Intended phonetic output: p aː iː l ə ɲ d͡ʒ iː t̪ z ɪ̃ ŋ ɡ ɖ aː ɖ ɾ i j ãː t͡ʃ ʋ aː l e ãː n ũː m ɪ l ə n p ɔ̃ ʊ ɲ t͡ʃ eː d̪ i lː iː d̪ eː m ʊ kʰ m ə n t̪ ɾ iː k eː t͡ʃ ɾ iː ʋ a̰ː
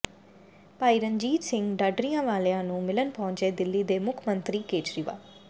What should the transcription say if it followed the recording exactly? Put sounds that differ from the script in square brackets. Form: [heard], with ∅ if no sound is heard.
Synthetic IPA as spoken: p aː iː [ɾ] ə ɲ d͡ʒ iː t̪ [s] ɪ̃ ŋ ɡ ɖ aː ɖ ɾ i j ãː [∅] ʋ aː l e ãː n ũː m ɪ l ə n p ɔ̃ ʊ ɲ t͡ʃ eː d̪ [ɪ] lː iː d̪ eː m ʊ kʰ m ə n t̪ ɾ iː k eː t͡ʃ ɾ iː ʋ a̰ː